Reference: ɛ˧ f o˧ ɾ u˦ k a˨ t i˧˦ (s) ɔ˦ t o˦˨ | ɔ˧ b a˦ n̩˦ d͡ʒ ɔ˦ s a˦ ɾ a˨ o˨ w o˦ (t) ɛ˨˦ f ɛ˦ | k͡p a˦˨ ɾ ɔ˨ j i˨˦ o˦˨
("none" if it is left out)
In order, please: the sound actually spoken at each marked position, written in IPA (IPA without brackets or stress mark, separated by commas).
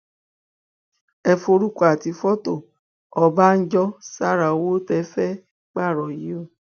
f, t